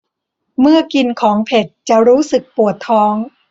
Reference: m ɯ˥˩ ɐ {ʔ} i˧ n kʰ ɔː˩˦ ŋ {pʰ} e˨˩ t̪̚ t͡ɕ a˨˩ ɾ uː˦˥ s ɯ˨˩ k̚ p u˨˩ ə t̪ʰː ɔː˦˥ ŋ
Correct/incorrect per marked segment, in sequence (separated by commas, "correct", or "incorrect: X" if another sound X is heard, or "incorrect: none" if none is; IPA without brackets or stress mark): incorrect: k, correct